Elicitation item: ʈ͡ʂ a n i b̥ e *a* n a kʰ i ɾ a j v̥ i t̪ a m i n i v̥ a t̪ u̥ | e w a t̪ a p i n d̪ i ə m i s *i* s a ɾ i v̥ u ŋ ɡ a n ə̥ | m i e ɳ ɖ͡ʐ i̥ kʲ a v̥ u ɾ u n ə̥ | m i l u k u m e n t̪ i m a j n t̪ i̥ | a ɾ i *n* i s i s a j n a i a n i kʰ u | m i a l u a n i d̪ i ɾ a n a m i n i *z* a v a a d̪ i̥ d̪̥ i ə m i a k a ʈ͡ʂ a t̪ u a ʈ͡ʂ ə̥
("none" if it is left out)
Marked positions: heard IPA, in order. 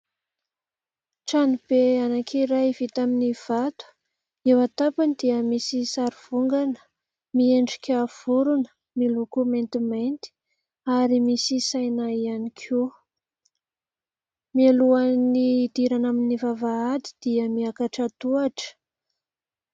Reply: a, i, m, v

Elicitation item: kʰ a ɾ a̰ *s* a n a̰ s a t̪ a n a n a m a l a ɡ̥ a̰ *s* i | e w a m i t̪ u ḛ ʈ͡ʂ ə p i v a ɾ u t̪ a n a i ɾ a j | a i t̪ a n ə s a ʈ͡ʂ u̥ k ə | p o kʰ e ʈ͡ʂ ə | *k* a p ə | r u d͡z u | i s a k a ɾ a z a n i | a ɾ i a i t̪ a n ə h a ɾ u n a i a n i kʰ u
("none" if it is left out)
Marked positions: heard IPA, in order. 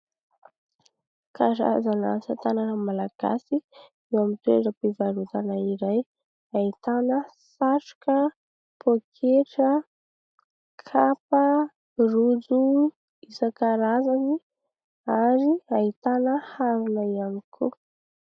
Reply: z, s, kʰ

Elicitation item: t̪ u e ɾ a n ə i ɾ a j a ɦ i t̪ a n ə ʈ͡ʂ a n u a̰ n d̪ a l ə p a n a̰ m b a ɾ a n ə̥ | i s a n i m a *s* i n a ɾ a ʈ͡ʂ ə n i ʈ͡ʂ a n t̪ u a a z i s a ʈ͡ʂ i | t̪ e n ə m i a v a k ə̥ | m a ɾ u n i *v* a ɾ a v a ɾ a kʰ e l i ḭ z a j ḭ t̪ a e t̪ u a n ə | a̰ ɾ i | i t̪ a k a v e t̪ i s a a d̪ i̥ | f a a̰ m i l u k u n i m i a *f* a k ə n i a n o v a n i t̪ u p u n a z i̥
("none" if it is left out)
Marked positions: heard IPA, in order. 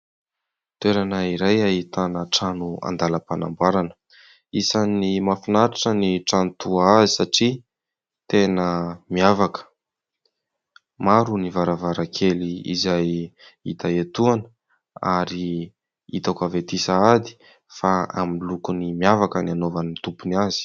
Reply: f, v, v

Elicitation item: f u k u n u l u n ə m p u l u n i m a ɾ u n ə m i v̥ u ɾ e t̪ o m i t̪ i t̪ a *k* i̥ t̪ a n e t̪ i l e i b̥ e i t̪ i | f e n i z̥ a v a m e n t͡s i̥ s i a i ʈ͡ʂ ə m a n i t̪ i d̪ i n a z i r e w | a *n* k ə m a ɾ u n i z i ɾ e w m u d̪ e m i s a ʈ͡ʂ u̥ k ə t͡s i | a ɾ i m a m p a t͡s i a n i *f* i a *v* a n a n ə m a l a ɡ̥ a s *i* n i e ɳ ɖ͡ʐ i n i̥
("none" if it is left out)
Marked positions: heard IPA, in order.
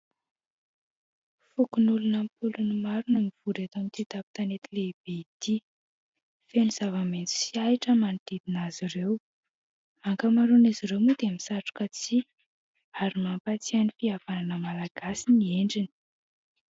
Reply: p, ŋ, f, v, i

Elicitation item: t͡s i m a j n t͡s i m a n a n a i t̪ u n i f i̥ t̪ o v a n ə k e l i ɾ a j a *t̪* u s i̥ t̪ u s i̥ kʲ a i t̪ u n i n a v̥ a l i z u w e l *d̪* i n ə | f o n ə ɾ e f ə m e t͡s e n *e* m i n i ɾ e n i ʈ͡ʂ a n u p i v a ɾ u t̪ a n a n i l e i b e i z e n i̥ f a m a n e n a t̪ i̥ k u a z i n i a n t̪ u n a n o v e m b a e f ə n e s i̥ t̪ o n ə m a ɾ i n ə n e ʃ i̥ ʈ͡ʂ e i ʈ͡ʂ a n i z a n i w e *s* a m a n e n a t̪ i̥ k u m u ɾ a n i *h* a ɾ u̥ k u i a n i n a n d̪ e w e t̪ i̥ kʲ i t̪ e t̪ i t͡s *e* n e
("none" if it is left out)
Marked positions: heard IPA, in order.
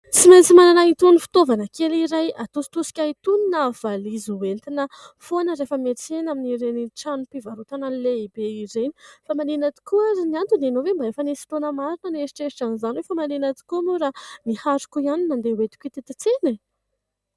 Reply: t̪, t̪, a, f, h, e

